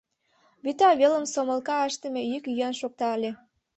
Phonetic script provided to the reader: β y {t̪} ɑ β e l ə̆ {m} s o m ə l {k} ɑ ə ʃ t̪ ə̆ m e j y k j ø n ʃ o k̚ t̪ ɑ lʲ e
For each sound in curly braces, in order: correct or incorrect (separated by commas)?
correct, correct, correct